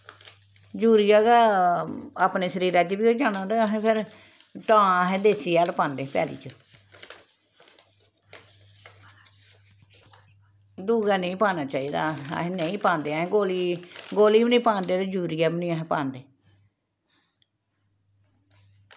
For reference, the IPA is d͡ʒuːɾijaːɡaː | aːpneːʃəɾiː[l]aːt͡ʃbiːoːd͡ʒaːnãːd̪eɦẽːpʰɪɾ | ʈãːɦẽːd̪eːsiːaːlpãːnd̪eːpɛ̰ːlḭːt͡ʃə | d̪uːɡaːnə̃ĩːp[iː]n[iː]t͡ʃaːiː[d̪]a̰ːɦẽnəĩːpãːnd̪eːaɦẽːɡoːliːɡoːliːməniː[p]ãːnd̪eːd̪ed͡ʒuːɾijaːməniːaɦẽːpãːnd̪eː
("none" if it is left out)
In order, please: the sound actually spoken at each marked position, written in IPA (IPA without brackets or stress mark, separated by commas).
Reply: ɾ, aː, aː, d̪, p